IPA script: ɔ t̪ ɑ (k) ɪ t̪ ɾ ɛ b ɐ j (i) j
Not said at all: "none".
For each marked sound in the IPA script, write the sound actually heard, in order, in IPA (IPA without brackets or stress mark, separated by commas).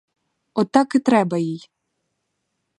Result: k, i